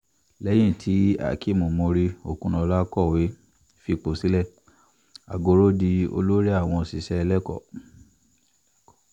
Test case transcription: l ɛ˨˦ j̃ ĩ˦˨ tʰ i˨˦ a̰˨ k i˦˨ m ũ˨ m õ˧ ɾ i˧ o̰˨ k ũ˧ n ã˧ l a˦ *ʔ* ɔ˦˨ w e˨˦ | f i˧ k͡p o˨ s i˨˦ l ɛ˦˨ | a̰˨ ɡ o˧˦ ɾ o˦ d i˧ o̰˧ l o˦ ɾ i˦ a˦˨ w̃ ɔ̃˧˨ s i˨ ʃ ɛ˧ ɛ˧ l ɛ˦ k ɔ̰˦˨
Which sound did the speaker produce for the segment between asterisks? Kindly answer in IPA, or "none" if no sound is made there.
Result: k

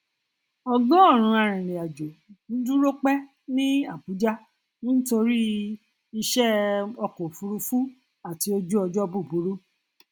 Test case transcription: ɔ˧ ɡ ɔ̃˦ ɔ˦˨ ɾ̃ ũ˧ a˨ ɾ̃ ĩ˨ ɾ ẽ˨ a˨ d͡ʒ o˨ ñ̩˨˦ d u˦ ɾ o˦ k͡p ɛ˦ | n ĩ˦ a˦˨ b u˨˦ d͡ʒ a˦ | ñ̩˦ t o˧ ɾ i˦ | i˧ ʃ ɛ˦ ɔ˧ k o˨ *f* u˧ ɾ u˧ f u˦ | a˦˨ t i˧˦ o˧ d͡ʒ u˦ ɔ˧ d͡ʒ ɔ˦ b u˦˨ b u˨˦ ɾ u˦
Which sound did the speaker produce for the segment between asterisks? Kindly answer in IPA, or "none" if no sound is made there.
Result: f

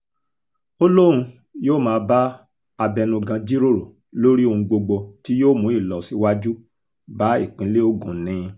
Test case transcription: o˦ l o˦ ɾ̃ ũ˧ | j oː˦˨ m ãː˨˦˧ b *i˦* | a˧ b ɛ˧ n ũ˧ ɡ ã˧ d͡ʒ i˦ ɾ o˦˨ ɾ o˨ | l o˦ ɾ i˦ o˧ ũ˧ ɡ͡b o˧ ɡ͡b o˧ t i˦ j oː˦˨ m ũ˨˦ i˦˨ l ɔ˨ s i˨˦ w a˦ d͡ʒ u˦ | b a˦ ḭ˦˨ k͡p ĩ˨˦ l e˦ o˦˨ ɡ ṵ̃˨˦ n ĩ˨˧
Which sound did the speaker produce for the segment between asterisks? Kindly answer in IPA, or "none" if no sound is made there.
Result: a˦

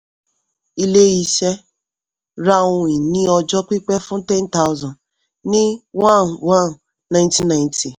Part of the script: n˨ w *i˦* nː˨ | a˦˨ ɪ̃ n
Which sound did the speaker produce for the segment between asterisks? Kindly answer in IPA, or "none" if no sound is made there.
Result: a˦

